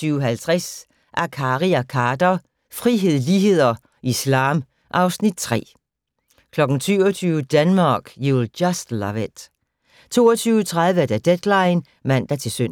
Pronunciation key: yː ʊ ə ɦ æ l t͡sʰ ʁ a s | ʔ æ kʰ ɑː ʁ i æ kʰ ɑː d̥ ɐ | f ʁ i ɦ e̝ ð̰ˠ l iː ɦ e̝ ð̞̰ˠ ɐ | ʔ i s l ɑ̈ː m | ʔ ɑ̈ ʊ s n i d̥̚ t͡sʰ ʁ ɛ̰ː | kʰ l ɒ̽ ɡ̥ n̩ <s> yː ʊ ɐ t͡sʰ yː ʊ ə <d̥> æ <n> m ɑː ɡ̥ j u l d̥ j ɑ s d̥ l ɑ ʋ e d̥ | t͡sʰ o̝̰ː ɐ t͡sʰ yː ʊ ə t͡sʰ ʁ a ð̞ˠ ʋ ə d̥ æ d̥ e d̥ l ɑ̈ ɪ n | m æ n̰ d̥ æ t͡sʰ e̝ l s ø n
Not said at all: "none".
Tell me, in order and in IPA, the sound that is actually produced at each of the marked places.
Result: s, d̥, n

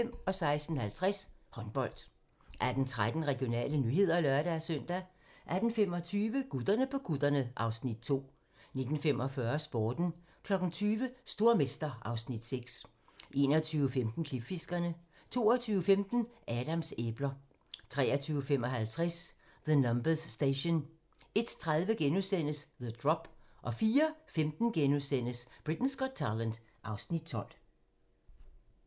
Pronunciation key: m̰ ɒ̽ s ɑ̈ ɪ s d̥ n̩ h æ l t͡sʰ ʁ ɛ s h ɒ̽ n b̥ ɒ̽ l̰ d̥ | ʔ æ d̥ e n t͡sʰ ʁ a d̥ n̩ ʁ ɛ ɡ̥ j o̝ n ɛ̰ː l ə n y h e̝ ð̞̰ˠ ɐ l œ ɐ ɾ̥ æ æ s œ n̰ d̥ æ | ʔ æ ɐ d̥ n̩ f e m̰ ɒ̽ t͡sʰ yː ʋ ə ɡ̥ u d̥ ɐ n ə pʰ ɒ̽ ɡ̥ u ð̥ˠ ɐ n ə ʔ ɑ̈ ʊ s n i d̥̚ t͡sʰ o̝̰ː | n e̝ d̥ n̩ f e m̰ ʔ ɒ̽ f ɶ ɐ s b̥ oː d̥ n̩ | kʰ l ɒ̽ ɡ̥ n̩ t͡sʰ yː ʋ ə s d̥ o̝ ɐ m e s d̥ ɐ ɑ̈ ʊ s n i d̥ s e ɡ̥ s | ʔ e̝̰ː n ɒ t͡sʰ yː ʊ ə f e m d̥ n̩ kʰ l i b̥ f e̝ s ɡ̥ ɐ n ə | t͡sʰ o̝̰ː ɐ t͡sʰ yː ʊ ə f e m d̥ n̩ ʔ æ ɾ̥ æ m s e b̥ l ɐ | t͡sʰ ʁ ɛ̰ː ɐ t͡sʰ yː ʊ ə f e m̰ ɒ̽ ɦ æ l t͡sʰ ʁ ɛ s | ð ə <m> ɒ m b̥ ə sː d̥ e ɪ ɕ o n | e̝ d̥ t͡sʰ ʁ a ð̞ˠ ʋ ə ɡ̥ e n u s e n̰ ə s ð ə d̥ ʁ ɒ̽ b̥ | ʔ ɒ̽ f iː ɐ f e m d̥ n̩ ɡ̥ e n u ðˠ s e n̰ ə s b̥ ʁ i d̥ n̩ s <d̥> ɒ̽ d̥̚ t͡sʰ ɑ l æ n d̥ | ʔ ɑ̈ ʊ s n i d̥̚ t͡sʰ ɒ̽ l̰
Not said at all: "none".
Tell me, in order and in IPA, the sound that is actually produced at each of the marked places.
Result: n, ɡ̥

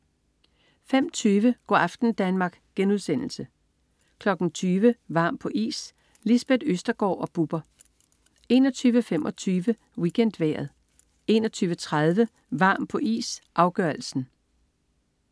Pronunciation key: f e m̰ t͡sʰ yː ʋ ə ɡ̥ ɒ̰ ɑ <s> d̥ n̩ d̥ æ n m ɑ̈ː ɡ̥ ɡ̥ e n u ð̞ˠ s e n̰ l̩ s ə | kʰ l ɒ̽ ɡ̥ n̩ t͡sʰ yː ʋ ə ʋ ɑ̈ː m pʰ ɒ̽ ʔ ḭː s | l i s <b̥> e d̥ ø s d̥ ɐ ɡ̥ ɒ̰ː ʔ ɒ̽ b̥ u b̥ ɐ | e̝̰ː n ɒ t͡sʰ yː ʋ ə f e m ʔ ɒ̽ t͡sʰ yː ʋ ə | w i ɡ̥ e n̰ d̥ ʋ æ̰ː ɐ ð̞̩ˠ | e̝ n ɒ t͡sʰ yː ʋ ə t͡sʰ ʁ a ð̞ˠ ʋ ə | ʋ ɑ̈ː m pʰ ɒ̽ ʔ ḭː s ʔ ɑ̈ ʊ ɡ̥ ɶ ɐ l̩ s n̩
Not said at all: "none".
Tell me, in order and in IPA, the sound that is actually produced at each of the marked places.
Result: f, b̥

